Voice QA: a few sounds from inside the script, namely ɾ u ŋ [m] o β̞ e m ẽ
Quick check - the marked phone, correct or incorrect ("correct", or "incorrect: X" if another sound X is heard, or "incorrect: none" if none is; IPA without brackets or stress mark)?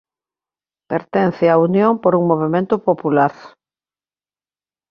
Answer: correct